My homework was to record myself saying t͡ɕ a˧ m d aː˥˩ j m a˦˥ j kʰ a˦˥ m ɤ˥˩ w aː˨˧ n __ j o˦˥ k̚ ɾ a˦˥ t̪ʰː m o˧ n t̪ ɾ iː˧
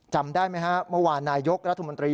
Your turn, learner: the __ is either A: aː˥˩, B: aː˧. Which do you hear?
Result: B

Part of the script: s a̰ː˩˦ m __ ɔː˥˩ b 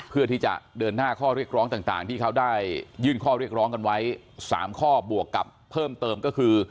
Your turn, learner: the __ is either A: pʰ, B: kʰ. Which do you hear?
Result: B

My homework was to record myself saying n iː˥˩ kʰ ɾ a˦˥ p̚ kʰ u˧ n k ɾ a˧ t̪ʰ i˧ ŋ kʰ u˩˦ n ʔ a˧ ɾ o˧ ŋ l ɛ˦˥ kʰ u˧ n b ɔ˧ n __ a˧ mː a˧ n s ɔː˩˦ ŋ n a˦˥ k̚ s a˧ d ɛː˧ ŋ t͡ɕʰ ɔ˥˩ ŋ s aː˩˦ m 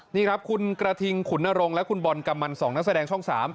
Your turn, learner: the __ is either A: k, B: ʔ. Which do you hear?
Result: A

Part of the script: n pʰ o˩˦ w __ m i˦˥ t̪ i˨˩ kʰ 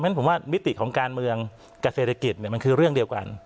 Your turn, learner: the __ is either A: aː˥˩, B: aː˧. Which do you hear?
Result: A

